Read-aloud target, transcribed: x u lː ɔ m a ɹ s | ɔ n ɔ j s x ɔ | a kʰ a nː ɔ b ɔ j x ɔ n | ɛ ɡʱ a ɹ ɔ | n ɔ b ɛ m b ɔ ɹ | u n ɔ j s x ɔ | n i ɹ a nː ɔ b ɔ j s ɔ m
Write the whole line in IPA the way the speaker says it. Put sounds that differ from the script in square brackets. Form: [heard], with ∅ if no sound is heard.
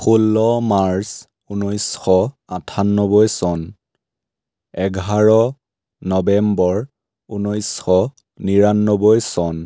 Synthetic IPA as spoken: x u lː ɔ m a ɹ s | [u] n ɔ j s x ɔ | a [tʰ] a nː ɔ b ɔ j [s] ɔ n | ɛ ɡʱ a ɹ ɔ | n ɔ b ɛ m b ɔ ɹ | u n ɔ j s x ɔ | n i ɹ a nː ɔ b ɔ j s ɔ [n]

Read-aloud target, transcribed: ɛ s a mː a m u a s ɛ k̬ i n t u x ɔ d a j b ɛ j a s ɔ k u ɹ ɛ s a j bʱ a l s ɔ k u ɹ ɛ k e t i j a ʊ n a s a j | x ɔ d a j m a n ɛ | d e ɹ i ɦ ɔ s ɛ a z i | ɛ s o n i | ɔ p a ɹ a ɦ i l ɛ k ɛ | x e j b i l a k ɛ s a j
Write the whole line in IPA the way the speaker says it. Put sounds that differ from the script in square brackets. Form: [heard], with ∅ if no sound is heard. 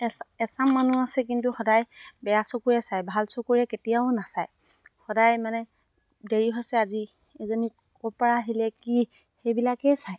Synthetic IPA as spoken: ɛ s a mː a [n] u a s ɛ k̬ i n t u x ɔ d a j b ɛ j a s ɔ k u ɹ ɛ s a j bʱ a l s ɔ k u ɹ ɛ k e t i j a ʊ n a s a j | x ɔ d a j m a n ɛ | d e ɹ i ɦ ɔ s ɛ a z i | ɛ [z] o n i | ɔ p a ɹ a ɦ i l ɛ k [i] | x e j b i l a k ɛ s a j

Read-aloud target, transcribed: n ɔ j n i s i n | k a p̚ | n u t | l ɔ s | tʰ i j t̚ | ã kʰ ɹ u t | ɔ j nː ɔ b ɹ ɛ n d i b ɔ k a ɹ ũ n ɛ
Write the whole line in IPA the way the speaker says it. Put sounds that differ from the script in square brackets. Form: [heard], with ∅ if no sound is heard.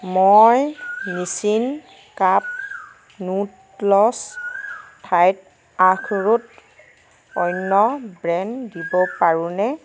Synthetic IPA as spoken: [m] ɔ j n i s i n | k a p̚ | n u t | l ɔ s | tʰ [a] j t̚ | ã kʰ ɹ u t | ɔ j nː ɔ b ɹ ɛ n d i b ɔ [p] a ɹ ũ n ɛ

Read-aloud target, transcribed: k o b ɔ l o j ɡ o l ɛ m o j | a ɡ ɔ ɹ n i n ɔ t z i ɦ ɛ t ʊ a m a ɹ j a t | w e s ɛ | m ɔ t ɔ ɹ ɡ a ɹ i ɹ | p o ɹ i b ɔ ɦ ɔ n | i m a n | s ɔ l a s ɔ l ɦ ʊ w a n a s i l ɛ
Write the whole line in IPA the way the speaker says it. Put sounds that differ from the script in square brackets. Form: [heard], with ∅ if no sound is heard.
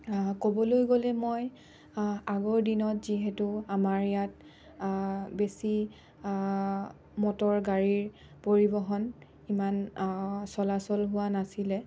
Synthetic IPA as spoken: k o b ɔ l o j ɡ o l ɛ m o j | a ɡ ɔ ɹ [d] i n ɔ t z i ɦ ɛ t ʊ a m a ɹ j a t | [b] e s [i] | m ɔ t ɔ ɹ ɡ a ɹ i ɹ | p o ɹ i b ɔ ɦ ɔ n | i m a n | s ɔ l a s ɔ l ɦ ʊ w a n a s i l ɛ

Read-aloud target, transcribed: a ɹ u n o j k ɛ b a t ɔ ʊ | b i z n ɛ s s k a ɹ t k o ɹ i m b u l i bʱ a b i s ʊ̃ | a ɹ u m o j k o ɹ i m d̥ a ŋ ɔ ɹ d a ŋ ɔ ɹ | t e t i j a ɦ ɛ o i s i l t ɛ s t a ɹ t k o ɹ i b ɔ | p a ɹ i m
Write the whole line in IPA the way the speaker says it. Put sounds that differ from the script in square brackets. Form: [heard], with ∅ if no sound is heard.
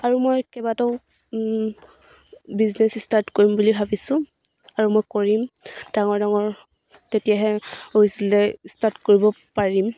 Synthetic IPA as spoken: a ɹ u [m] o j k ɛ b a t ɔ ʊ | b i z n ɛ s s [t] a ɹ t k o ɹ i m b u l i bʱ a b i s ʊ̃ | a ɹ u m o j k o ɹ i m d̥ a ŋ ɔ ɹ d a ŋ ɔ ɹ | t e t i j a ɦ ɛ o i s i l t ɛ s t a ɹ t k o ɹ i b ɔ | p a ɹ i m

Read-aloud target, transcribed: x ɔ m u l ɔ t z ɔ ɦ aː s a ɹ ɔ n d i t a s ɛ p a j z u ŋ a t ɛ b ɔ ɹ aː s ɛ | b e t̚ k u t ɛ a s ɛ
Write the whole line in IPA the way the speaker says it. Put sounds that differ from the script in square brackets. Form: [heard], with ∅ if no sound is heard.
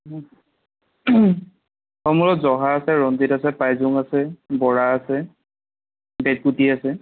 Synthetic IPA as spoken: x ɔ m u l ɔ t z ɔ ɦ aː s [ɛ] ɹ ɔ n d i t a s ɛ p a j z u ŋ a [s] ɛ b ɔ ɹ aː s ɛ | b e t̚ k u t [i] a s ɛ

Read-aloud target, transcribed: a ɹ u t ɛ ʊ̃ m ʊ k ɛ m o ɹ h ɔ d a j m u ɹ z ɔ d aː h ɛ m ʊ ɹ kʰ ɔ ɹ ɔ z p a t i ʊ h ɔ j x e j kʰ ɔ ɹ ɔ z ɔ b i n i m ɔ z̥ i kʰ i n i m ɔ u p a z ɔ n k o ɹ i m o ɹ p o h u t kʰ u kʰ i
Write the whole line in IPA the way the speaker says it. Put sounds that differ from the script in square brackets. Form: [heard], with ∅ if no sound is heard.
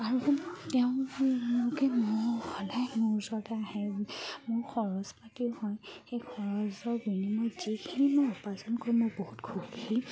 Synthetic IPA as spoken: a ɹ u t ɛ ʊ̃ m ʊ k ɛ m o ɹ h ɔ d a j m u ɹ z ɔ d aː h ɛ m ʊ ɹ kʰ ɔ ɹ ɔ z p a t i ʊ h ɔ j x e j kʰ ɔ ɹ ɔ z ɔ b i n i m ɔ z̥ i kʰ i n i m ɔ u p a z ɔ n k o ɹ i m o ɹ [b] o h u t kʰ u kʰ i

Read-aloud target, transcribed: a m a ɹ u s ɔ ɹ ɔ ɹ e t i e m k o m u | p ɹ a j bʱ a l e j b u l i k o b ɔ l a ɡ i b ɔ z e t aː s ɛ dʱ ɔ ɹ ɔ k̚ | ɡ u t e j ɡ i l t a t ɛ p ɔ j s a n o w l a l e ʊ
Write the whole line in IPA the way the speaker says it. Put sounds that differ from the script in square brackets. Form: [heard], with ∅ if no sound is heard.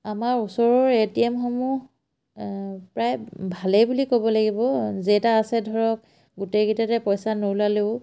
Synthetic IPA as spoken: a m a ɹ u s ɔ ɹ ɔ ɹ e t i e m [x] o m u | p ɹ a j bʱ a l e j b u l i k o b ɔ l a ɡ i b ɔ z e t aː s ɛ dʱ ɔ ɹ ɔ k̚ | ɡ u t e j ɡ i [∅] t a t ɛ p ɔ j s a n o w l a l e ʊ

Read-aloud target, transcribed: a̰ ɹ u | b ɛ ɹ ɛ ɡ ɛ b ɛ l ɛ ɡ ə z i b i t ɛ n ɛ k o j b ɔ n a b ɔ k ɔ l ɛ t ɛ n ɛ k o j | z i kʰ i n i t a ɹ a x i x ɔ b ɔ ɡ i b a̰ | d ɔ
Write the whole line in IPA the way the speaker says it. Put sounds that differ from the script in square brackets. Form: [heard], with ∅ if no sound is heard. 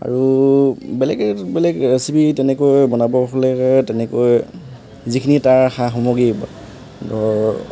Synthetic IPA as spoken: a̰ ɹ u | b ɛ [l] ɛ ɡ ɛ b ɛ l ɛ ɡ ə [s] i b i t ɛ n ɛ k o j b ɔ n a b ɔ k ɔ l ɛ t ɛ n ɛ k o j | z i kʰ i n i t a ɹ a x [a] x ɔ [m] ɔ ɡ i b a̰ | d ɔ

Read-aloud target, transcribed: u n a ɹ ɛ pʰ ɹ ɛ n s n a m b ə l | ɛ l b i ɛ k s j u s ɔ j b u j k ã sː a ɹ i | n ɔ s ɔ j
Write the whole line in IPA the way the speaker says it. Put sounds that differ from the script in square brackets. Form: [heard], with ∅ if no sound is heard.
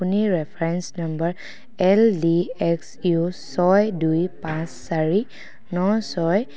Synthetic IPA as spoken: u n [i] ɹ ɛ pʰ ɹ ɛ n s n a m b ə [ɹ] | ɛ l [d] i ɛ k s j u s ɔ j [d] u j [p] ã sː a ɹ i | n ɔ s ɔ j

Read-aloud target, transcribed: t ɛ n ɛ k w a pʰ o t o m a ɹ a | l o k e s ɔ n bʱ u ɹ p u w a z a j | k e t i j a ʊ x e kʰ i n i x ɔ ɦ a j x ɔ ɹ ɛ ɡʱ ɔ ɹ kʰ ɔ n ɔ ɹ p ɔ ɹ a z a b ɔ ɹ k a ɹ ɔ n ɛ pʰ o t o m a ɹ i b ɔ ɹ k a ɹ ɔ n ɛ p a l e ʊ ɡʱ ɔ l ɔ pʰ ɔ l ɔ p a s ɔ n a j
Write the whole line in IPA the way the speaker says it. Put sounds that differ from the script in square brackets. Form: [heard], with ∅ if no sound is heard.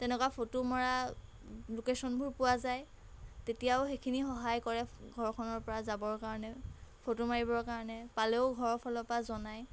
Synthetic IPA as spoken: t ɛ n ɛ k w a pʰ o t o m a ɹ a | l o k e s ɔ n bʱ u ɹ p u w a z a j | [t] e t i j a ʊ x e kʰ i n i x ɔ ɦ a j [k] ɔ ɹ ɛ ɡʱ ɔ ɹ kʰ ɔ n ɔ ɹ p ɔ ɹ a z a b ɔ ɹ k a ɹ ɔ n ɛ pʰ o t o m a ɹ i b ɔ ɹ k a ɹ ɔ n ɛ p a l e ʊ ɡʱ ɔ [ɹ] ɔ pʰ ɔ l ɔ p a [z] ɔ n a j

